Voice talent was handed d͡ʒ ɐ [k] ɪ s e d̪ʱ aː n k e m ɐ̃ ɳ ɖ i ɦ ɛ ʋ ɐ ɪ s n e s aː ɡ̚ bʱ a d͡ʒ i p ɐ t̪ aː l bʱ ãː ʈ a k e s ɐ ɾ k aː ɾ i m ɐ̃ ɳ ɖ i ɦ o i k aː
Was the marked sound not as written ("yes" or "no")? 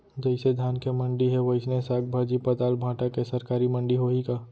yes